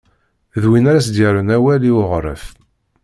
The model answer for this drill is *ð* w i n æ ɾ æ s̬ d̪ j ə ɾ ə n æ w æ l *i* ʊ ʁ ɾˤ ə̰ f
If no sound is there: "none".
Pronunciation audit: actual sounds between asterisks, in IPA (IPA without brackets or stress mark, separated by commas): ð, i